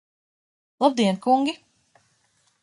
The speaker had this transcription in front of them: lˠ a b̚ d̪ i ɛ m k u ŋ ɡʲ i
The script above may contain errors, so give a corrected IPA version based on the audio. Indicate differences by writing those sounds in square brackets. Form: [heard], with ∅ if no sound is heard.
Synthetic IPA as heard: lˠ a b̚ d̪ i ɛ [n] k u ŋ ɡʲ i